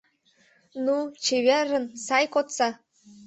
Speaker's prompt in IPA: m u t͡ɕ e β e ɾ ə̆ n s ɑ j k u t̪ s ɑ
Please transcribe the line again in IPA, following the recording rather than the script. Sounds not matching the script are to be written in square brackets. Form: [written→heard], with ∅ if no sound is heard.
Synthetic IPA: [m→n] u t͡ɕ e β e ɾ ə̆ n s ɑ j k [u→o] t̪ s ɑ

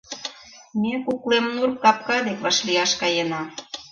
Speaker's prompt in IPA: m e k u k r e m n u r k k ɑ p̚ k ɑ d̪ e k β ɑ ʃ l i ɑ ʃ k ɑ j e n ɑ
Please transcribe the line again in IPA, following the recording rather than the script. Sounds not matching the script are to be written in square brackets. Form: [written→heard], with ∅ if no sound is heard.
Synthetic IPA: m e k u k [r→l] e m n u r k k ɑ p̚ k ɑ d̪ e k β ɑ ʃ l i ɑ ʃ k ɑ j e n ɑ

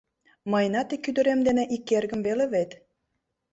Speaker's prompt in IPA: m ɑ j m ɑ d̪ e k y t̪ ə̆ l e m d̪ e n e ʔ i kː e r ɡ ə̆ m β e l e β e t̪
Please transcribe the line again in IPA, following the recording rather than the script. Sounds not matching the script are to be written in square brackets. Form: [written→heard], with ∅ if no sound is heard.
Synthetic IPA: m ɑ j [m→n] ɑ [d̪→t̪] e k y [t̪→d̪] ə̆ [l→ɾ] e m d̪ e n e ʔ i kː e r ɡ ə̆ m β e l e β e t̪

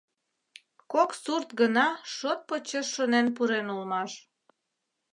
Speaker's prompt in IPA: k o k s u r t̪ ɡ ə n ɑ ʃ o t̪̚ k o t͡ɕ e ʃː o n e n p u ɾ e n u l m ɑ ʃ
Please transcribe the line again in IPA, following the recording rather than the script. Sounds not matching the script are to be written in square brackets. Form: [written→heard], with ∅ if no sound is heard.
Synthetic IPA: k o k s u r t̪ ɡ ə n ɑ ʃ o t̪̚ [k→p] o t͡ɕ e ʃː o n e n p u ɾ e n u l m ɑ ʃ

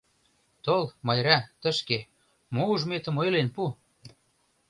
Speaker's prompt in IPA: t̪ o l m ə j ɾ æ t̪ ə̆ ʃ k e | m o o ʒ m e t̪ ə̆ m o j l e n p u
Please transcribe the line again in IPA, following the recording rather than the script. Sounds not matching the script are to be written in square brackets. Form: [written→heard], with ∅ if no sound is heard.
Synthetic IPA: t̪ o l m [ə→ɑ] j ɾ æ t̪ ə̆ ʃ k e | m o [o→u] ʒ m e t̪ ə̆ m o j l e n p u

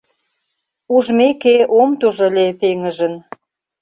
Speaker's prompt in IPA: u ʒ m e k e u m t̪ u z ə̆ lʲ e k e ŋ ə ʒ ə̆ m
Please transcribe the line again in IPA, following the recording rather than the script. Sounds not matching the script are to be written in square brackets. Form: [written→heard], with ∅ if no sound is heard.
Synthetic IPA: u ʒ m e k e [u→o] m t̪ u [z→ʒ] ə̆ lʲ e [k→p] e ŋ ə ʒ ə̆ [m→n]

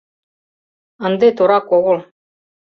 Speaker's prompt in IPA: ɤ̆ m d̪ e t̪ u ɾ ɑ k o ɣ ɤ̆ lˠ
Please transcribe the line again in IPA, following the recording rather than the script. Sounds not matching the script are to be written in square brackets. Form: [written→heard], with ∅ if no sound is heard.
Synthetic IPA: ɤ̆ [m→n] d̪ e t̪ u ɾ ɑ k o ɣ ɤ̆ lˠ

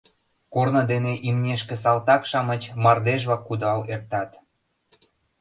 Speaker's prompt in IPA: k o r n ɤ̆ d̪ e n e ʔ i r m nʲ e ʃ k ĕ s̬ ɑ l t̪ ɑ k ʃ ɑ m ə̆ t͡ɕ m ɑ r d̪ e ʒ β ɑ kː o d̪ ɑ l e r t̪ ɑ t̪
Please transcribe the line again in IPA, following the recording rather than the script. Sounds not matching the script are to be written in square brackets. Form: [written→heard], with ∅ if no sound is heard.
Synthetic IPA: k o r n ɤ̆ d̪ e n e ʔ i [r→∅] m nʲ e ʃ k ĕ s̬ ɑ l t̪ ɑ k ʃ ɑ m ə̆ t͡ɕ m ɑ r d̪ e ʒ β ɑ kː [o→u] d̪ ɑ l e r t̪ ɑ t̪

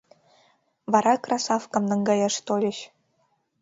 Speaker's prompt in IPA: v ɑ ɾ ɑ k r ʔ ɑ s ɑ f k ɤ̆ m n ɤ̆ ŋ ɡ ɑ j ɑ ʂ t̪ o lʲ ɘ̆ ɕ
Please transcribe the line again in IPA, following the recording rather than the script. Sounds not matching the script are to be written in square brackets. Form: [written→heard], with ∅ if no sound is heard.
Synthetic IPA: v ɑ ɾ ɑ k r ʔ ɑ s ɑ f k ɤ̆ m n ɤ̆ ŋ ɡ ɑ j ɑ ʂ t̪ o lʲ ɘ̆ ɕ

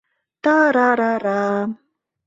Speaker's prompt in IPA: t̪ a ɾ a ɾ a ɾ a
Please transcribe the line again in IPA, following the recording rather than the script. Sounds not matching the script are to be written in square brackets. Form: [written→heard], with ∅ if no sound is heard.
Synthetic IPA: t̪ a ɾ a ɾ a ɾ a

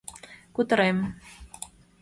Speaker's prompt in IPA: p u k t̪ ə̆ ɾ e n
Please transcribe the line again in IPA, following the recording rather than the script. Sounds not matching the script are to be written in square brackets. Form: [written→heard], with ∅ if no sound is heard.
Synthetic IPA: [p→k] u [k→∅] t̪ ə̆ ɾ e [n→m]

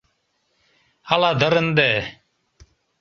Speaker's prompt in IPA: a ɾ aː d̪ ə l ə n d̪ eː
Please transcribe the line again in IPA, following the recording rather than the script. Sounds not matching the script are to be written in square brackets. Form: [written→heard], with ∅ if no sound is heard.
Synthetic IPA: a [ɾ→l] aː d̪ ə [l→ɾ] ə n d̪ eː

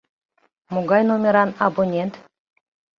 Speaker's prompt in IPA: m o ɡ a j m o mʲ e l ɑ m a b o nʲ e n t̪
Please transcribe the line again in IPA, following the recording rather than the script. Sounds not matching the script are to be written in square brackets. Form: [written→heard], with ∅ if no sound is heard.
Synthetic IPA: m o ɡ [a→ɑ] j [m→n] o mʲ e [l→ɾ] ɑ [m→n] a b o nʲ e n t̪

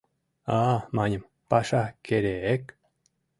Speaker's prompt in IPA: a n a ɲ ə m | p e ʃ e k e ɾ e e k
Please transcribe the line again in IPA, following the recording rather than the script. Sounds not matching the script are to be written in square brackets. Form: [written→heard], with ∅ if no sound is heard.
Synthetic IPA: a [n→m] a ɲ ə m | p [e→a] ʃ [e→a] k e ɾ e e k

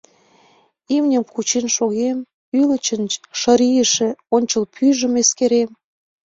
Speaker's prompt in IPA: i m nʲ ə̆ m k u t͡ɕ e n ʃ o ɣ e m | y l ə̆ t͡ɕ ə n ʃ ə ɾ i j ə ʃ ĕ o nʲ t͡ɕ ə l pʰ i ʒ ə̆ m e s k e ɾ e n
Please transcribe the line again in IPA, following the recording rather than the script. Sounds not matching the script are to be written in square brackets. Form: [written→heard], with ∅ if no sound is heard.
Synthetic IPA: i m nʲ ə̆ m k u t͡ɕ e n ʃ o ɣ e m | y l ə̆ t͡ɕ ə n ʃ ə ɾ i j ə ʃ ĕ o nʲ t͡ɕ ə l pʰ [i→y] ʒ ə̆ m e s k e ɾ e [n→m]

